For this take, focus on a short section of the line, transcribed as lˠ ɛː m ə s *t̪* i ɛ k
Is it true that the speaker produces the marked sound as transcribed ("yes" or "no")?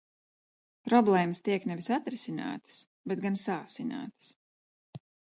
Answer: yes